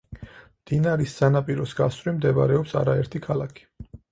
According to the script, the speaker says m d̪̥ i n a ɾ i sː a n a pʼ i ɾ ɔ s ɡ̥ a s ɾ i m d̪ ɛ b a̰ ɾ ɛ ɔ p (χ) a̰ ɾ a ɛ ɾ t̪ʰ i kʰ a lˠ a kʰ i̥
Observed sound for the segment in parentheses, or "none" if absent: s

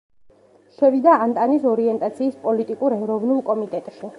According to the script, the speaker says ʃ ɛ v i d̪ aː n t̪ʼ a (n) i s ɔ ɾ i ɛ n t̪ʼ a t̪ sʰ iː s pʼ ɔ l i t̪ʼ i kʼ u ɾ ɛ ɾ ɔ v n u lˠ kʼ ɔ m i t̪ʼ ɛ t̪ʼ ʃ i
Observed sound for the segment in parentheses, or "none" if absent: n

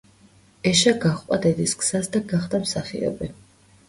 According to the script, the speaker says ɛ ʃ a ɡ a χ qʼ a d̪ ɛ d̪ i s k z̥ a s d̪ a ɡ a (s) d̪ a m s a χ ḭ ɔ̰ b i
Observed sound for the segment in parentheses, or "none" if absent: χ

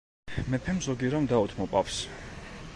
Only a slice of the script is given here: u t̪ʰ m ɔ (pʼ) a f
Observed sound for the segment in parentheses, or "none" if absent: pʼ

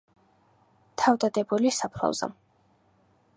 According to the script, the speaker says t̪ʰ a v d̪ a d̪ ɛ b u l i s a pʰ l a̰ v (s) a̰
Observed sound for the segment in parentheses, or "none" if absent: z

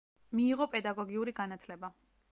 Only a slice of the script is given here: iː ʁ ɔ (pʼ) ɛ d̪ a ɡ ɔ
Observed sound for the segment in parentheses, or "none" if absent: pʼ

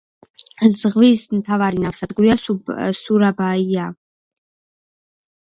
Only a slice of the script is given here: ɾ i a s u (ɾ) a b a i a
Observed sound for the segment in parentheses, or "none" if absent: ɾ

